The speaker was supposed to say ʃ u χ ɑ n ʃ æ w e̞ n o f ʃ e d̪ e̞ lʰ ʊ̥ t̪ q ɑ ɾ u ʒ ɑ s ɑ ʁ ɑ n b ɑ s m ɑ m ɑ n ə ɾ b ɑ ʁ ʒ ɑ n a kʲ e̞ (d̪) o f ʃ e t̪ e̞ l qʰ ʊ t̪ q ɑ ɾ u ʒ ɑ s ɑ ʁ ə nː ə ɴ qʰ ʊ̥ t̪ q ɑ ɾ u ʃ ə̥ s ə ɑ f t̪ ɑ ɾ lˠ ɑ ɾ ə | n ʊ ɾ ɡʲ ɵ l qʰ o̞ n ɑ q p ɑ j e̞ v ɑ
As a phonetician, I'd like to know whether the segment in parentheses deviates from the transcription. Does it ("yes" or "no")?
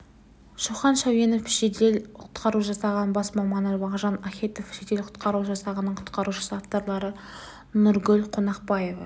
yes